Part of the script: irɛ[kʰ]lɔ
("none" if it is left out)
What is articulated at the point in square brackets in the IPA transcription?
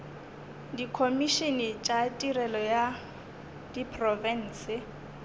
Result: none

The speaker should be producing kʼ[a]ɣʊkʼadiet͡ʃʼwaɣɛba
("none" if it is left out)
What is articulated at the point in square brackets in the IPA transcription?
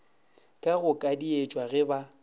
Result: a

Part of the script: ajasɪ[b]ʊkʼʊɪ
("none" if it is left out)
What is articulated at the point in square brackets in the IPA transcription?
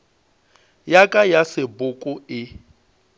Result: b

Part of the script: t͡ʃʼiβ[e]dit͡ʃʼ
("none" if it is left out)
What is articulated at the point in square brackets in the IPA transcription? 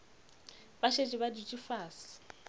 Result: a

